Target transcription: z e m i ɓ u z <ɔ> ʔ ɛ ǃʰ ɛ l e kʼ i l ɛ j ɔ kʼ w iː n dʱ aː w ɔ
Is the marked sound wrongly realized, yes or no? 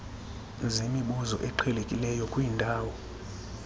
no